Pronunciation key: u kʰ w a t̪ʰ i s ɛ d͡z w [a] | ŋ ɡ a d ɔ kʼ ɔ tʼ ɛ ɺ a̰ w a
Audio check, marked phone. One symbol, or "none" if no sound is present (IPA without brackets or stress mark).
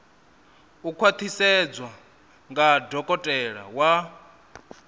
a